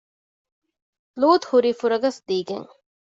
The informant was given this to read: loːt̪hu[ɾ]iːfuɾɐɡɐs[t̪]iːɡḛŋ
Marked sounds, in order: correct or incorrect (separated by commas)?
correct, incorrect